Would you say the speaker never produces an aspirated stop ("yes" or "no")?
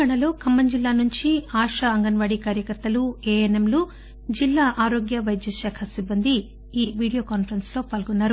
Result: no